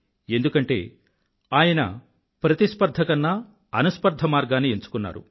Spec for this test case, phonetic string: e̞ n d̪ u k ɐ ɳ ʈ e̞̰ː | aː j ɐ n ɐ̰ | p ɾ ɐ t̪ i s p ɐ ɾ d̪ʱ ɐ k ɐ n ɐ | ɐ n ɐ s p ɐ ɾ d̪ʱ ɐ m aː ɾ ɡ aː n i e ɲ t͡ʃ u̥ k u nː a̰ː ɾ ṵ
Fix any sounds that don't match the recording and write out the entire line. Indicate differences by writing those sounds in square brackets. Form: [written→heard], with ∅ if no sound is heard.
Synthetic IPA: e̞ n d̪ u k ɐ ɳ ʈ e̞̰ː | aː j ɐ n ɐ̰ | p ɾ ɐ t̪ i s p ɐ ɾ d̪ʱ ɐ k ɐ [n→nː] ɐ | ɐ n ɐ s p ɐ ɾ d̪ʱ ɐ m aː ɾ ɡ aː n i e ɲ t͡ʃ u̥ k u nː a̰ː ɾ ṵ

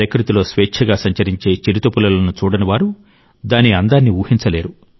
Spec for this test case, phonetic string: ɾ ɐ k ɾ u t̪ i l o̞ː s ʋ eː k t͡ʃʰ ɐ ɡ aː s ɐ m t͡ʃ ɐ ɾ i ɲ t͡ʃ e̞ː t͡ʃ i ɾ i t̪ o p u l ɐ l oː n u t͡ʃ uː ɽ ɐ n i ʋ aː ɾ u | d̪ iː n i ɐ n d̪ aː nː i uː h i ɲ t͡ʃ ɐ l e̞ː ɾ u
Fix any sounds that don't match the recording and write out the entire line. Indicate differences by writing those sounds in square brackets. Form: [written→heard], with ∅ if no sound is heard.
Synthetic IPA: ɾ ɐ k ɾ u t̪ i l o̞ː s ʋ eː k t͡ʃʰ ɐ ɡ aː s ɐ [m→ɲ] t͡ʃ ɐ ɾ i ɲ t͡ʃ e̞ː t͡ʃ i ɾ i t̪ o p u l ɐ l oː n u t͡ʃ uː ɽ ɐ n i ʋ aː ɾ u | d̪ [iː→aː] n i ɐ n d̪ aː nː i uː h i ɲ t͡ʃ ɐ l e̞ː ɾ u

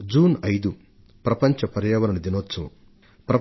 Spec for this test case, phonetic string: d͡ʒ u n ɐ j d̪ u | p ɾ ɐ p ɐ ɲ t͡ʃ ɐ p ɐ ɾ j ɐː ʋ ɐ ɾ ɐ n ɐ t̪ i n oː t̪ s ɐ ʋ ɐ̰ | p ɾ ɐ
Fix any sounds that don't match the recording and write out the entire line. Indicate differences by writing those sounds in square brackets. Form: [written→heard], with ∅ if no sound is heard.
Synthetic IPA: d͡ʒ [u→uː] n ɐ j d̪ u | p ɾ ɐ p ɐ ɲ t͡ʃ ɐ p ɐ ɾ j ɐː ʋ ɐ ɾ ɐ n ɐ [t̪→d̪] i n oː t̪ s ɐ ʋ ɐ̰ | p ɾ ɐ

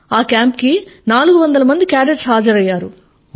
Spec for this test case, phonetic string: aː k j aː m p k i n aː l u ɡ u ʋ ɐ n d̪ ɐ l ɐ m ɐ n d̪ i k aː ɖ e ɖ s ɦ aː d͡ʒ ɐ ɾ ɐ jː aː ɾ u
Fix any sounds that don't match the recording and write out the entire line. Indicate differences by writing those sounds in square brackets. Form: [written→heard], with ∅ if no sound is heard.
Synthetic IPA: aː k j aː m p k i n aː l u ɡ u ʋ ɐ n d̪ ɐ l ɐ m ɐ n d̪ i k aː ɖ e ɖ s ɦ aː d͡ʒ ɐ ɾ ɐ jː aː ɾ u

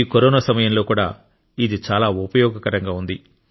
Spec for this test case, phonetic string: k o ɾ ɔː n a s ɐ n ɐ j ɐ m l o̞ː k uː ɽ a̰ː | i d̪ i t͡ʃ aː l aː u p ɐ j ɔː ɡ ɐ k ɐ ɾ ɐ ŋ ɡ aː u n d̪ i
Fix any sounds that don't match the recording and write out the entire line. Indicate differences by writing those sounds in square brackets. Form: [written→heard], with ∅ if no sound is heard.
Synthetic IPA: k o ɾ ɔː n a s ɐ [n→m] ɐ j ɐ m l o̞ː k uː ɽ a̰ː | i d̪ i t͡ʃ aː l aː u p ɐ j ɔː ɡ ɐ k ɐ ɾ ɐ ŋ ɡ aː u n d̪ i

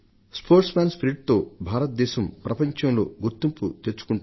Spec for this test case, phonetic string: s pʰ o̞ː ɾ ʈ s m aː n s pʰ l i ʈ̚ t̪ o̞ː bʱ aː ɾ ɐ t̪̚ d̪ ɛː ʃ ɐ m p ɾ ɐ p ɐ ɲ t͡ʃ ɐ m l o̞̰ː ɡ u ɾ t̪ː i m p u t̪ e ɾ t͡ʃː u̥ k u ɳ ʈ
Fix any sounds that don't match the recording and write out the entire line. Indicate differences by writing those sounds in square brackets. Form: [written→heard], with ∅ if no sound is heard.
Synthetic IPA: s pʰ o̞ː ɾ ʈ s m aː n s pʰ [l→ɾ] i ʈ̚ t̪ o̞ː bʱ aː ɾ ɐ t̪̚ d̪ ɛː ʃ ɐ m p ɾ ɐ p ɐ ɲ t͡ʃ ɐ m l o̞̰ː ɡ u ɾ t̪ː i m p u t̪ e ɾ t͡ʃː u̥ k u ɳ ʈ

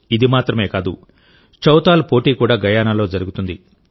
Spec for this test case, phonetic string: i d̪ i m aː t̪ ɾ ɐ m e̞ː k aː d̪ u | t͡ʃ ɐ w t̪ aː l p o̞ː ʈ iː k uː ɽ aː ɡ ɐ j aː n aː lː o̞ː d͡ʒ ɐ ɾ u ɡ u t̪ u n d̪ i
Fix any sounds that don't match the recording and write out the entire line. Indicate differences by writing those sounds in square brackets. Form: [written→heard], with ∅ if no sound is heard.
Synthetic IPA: i d̪ i m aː t̪ ɾ ɐ m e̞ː k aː d̪ u | t͡ʃ ɐ w t̪ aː l p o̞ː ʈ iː k uː ɽ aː ɡ ɐ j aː n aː [lː→l] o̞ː d͡ʒ ɐ ɾ u ɡ u t̪ u n d̪ i

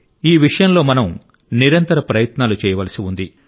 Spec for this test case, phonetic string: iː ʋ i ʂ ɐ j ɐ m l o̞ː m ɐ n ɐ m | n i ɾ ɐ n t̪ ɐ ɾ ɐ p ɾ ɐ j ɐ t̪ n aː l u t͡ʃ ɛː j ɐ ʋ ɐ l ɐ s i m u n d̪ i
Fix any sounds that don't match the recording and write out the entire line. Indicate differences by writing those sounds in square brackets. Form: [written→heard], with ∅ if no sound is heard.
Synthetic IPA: iː ʋ i ʂ ɐ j ɐ m l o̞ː m ɐ n ɐ m | n i ɾ ɐ n t̪ ɐ ɾ ɐ p ɾ ɐ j ɐ t̪ n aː l u t͡ʃ ɛː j ɐ ʋ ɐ l ɐ s i [m→∅] u n d̪ i

